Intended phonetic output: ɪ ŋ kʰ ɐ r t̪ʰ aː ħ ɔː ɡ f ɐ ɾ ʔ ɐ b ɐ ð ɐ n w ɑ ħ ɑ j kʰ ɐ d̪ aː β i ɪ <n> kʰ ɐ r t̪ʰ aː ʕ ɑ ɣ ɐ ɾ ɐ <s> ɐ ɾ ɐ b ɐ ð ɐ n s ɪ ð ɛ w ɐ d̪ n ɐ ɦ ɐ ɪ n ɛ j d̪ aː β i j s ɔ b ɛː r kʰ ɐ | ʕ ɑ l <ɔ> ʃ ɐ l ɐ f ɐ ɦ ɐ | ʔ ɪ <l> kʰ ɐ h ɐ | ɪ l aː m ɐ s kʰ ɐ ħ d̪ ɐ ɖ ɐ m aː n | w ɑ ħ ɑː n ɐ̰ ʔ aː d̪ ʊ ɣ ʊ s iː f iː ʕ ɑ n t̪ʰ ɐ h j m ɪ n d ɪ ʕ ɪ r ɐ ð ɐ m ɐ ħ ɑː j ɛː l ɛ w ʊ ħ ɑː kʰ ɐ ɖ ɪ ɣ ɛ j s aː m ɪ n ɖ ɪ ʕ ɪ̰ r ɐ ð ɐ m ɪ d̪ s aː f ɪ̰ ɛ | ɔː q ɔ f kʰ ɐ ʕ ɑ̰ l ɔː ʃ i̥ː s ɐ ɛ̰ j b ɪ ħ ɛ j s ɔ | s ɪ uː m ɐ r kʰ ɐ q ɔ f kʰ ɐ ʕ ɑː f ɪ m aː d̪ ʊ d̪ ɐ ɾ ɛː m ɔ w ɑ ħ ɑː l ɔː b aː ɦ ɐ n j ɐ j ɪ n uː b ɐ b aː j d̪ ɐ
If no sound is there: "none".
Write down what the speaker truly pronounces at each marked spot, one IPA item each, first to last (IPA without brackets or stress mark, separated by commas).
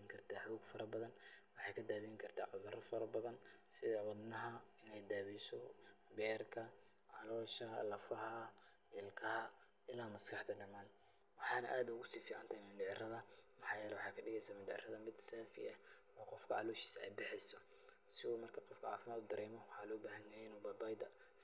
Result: ŋ, f, ɔː, l